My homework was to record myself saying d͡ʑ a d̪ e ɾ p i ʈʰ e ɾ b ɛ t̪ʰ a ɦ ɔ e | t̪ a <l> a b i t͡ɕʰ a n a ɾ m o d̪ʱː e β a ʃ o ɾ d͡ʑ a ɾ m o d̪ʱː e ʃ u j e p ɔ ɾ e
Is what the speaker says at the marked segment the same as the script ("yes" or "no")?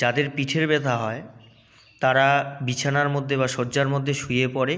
no